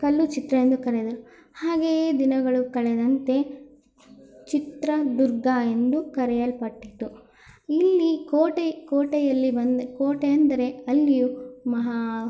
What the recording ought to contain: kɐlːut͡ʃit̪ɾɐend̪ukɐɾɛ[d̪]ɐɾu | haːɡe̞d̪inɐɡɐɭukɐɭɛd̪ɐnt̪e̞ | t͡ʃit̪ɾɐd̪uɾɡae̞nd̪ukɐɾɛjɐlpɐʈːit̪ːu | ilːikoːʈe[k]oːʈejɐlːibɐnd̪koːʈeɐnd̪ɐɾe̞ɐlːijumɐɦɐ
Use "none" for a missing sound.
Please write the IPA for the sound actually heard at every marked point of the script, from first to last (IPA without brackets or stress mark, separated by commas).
d̪, k